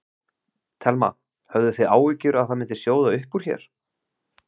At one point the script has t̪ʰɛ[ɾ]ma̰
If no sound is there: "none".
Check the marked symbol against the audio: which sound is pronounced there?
l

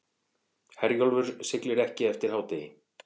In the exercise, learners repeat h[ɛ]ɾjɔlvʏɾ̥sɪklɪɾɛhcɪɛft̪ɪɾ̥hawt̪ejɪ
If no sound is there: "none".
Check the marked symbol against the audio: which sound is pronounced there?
ɛ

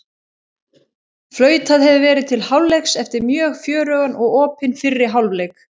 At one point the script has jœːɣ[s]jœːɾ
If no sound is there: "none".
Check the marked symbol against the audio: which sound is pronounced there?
f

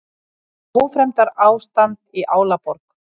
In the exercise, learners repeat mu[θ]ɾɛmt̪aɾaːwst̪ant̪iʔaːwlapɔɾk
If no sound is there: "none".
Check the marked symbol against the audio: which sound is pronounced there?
f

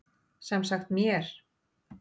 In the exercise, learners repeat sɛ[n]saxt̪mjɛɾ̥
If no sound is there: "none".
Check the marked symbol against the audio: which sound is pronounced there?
m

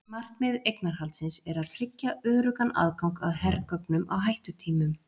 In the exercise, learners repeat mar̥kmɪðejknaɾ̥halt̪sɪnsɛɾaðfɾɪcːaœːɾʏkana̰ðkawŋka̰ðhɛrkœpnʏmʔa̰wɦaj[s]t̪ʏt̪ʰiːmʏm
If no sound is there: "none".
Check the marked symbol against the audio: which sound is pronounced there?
h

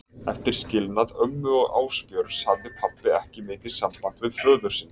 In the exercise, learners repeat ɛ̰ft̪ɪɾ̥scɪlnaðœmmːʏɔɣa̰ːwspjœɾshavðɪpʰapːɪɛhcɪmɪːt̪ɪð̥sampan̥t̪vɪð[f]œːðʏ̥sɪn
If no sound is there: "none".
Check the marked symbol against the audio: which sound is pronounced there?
f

